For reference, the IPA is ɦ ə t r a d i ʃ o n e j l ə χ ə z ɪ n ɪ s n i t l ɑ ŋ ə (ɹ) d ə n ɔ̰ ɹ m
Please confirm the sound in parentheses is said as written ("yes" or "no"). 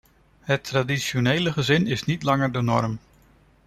yes